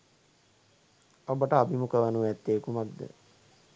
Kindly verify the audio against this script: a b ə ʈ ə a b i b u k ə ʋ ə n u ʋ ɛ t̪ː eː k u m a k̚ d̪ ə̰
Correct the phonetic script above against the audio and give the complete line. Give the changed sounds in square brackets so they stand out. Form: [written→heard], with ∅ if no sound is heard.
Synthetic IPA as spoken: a b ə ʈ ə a b i [b→m] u k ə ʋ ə n u ʋ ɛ t̪ː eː k u m a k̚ d̪ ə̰